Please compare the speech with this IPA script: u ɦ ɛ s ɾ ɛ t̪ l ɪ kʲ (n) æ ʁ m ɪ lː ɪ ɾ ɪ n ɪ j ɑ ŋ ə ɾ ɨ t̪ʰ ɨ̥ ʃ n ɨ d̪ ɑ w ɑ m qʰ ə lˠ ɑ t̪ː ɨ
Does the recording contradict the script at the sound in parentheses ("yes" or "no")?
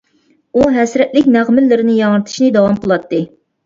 no